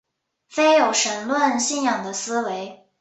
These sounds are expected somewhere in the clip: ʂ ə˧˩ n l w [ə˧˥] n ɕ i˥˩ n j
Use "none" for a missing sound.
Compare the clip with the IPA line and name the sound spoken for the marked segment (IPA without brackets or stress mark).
ə˥˧